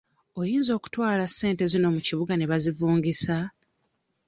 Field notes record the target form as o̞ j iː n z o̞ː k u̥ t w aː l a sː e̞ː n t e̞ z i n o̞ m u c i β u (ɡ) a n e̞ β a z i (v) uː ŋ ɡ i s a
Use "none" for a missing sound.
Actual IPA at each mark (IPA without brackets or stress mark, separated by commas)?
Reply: ɡ, v